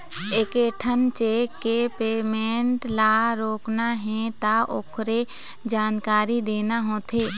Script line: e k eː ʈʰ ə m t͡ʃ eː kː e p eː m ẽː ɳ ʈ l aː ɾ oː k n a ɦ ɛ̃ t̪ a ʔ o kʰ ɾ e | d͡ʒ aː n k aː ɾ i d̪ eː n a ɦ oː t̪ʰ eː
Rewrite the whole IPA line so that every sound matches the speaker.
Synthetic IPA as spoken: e k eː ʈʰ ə n t͡ʃ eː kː e p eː m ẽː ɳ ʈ l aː ɾ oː k n a ɦ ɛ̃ t̪ a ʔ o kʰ ɾ e | d͡ʒ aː n k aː ɾ i d̪ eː n a ɦ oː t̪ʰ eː